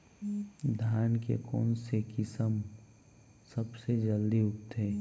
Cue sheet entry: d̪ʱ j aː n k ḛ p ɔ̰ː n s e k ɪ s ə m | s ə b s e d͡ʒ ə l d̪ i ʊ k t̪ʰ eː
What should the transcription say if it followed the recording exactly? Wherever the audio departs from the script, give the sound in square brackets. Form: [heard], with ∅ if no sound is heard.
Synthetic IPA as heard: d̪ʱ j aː n k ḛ [k] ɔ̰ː n s e k ɪ s ə m | s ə b s e d͡ʒ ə l d̪ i ʊ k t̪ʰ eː